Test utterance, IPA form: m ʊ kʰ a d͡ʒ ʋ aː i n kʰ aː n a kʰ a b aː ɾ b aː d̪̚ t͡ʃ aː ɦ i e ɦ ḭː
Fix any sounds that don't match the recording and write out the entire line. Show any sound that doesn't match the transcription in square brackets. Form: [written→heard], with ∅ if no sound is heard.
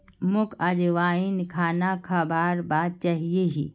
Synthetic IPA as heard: m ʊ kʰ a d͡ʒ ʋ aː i n kʰ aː n a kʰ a b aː ɾ b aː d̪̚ t͡ʃ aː ɦ i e ɦ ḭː